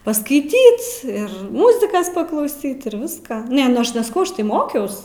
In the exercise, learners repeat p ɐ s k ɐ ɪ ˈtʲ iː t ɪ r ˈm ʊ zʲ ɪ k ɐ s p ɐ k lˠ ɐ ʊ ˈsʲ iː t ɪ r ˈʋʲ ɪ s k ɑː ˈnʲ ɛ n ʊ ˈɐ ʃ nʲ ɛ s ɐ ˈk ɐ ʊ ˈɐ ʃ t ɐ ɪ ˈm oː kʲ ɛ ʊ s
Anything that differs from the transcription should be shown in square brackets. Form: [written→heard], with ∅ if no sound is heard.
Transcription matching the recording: p ɐ s k ɐ ɪ ˈtʲ iː t ɪ r ˈm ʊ zʲ ɪ k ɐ s p ɐ k lˠ ɐ ʊ ˈsʲ iː t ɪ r ˈʋʲ ɪ s k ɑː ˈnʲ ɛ n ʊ ˈɐ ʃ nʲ ɛ s ɐ ˈk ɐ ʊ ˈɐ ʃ t ɐ ɪ ˈm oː kʲ ɛ ʊ s